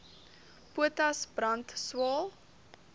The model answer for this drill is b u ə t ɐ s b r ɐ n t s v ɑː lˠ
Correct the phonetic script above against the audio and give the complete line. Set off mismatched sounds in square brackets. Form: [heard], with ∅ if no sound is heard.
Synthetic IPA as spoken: [p] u ə t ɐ s b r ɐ n t s [w] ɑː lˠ